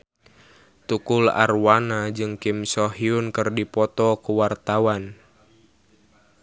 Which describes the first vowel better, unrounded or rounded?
rounded